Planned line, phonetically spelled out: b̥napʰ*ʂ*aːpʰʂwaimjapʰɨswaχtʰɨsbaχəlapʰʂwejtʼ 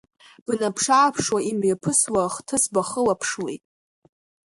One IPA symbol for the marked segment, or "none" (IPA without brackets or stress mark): ʂ